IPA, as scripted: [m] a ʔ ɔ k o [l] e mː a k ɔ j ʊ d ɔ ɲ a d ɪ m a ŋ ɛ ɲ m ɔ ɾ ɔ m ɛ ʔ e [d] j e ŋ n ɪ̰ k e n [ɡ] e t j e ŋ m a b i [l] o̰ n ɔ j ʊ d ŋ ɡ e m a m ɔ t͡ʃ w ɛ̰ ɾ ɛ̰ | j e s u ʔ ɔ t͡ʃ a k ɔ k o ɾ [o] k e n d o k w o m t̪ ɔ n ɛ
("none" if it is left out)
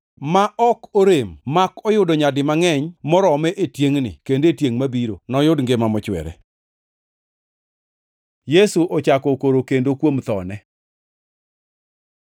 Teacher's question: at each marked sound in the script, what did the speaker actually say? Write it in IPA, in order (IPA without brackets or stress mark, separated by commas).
m, ɾ, t, d, ɾ, o